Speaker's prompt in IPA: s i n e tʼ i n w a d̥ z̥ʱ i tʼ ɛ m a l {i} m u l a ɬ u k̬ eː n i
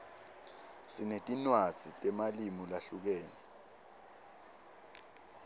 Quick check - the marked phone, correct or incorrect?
correct